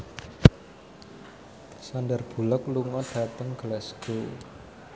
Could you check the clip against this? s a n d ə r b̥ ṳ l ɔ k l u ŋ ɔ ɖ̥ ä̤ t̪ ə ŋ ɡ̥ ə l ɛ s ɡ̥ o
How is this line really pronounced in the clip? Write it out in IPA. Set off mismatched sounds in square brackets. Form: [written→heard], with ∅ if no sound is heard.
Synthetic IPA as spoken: s a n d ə r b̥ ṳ l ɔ k l u ŋ ɔ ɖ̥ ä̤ t̪ ə ŋ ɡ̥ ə l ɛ s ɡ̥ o